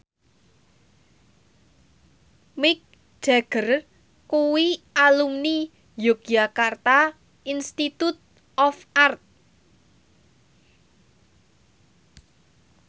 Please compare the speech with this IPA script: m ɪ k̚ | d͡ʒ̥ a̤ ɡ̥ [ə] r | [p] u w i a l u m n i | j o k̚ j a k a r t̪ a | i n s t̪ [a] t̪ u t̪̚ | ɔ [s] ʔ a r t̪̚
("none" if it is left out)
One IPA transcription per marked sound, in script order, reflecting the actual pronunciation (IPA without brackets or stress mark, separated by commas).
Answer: ə, k, i, f